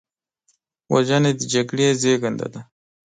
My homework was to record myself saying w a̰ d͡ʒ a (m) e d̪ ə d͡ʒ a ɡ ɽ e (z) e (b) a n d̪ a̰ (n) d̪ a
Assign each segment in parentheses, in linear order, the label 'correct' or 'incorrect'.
incorrect: n, correct, incorrect: ɡ, incorrect: none

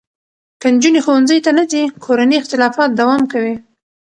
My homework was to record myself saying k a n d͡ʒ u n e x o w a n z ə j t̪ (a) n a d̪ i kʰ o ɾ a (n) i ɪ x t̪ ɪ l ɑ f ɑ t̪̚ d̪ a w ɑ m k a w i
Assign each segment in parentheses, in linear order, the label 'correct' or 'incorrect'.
correct, correct

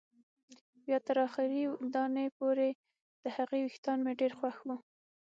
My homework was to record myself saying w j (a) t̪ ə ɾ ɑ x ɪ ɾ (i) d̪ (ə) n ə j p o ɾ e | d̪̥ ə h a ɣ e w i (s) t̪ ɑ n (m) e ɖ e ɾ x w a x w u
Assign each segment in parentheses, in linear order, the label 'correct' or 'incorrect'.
incorrect: ɑ, correct, incorrect: ɑ, incorrect: x, correct

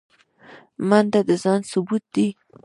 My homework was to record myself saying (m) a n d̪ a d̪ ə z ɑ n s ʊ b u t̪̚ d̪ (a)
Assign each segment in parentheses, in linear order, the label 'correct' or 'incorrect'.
correct, incorrect: i

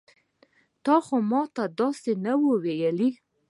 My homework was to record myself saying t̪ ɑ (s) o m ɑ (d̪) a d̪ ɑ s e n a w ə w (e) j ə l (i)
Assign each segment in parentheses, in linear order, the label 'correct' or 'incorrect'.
incorrect: x, incorrect: t̪, correct, correct

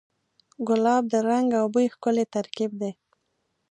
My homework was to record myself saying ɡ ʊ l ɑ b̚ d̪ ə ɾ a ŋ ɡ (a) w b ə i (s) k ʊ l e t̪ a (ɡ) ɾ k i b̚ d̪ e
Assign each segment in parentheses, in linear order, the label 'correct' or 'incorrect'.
correct, incorrect: x, incorrect: none

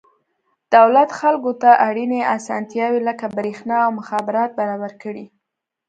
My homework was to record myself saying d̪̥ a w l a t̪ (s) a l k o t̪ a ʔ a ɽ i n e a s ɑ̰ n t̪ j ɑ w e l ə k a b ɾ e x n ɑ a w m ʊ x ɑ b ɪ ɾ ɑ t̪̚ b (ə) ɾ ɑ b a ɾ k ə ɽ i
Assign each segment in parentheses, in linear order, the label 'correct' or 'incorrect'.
incorrect: x, incorrect: a

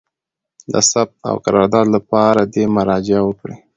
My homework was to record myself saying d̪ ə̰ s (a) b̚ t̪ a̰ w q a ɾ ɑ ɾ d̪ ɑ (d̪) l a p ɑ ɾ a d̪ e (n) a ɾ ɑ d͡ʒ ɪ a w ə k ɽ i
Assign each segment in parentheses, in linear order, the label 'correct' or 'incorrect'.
correct, correct, incorrect: m

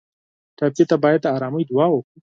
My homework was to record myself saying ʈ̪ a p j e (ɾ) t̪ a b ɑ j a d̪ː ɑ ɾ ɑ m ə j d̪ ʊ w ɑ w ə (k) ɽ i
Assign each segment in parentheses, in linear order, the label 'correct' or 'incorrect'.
incorrect: none, correct

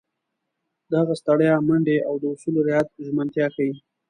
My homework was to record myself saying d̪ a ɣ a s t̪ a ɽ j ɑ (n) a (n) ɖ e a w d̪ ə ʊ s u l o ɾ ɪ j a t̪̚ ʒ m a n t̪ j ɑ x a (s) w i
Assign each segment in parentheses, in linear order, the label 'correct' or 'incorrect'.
incorrect: m, incorrect: ɳ, incorrect: none

